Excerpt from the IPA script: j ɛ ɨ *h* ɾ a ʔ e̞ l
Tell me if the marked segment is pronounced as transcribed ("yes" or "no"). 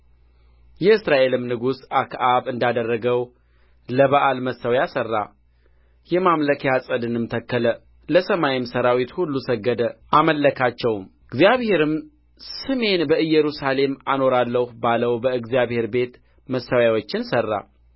no